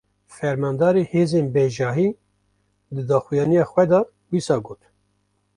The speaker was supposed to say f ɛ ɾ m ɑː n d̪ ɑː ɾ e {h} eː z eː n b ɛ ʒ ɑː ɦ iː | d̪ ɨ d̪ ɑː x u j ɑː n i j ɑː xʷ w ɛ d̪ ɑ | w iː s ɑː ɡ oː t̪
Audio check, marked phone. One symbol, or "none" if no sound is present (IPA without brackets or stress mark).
h